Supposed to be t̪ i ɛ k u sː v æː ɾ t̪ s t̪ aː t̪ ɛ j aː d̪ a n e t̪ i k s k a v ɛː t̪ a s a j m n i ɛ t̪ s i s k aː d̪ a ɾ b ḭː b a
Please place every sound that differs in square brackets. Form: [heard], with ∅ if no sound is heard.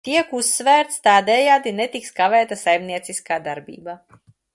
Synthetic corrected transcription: t̪ i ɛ k u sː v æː ɾ t̪ s t̪ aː [d̪] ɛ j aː d̪ [i] n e t̪ i k s k a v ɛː t̪ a s a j m n i ɛ t̪ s i s k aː d̪ a ɾ b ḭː b a